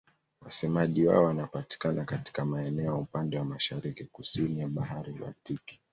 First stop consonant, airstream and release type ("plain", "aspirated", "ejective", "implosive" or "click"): implosive